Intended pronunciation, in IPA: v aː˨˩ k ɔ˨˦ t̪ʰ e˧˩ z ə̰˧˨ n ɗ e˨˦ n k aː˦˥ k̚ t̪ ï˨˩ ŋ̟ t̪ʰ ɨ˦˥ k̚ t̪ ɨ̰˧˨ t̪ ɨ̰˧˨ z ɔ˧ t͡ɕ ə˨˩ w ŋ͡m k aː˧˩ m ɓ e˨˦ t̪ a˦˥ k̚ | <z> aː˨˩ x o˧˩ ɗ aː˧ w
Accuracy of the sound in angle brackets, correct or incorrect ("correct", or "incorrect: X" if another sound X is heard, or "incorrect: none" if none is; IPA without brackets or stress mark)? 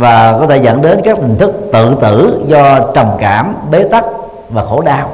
incorrect: v